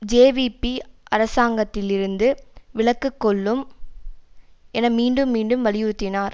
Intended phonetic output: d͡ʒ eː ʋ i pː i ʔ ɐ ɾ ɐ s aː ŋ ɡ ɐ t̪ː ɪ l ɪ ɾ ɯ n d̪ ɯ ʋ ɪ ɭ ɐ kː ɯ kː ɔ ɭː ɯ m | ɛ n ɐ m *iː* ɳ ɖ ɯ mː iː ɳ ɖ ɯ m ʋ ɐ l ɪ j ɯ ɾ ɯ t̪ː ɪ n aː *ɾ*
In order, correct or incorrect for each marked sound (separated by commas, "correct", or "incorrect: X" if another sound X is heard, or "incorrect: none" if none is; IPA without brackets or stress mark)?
correct, correct